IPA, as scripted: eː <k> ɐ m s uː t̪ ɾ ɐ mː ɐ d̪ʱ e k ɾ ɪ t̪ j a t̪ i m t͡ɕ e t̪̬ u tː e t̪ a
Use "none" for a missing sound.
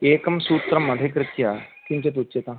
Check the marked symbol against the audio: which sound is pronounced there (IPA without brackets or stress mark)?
k